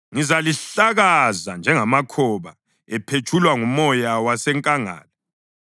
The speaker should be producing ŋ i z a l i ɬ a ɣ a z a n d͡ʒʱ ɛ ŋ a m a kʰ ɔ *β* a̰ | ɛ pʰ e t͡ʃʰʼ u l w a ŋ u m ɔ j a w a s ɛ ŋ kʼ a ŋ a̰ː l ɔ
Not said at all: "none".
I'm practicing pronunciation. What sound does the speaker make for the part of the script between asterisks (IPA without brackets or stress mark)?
β